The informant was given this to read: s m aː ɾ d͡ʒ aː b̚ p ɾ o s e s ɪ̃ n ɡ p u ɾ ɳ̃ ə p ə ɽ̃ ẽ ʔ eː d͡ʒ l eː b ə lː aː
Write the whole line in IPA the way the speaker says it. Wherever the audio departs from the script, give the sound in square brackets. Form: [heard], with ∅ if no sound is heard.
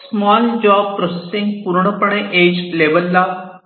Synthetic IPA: s m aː [l] d͡ʒ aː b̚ p ɾ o s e s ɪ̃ [ŋ] ɡ p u ɾ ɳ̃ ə p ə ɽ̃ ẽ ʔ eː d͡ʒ l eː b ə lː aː